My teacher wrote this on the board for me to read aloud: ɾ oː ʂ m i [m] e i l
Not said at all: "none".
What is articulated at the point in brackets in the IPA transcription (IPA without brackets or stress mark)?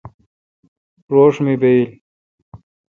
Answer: b